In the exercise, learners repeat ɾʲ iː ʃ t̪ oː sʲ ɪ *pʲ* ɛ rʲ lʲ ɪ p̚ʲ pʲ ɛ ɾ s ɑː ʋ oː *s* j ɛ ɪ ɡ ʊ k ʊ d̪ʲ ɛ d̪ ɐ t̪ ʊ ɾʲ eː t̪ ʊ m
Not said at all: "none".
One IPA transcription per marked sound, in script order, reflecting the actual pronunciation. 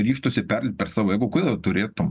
pʲ, none

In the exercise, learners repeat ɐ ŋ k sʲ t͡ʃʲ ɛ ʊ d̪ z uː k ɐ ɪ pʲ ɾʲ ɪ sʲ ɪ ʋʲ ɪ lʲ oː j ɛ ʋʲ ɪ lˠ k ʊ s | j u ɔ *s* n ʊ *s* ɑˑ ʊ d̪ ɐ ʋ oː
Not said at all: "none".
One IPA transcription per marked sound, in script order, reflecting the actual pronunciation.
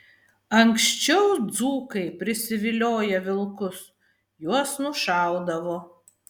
s, ʃ

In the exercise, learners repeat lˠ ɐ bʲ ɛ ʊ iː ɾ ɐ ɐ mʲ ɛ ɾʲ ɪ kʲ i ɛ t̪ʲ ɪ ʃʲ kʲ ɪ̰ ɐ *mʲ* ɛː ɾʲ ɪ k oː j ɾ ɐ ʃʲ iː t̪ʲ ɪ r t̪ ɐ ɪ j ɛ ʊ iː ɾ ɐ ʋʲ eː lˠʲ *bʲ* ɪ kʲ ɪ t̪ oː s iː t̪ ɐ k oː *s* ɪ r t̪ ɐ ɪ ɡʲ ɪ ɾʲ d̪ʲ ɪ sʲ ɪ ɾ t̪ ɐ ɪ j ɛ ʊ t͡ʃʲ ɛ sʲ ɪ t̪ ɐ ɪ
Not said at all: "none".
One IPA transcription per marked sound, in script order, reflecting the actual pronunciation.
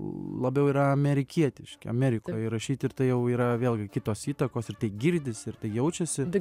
mʲ, ɡʲ, s

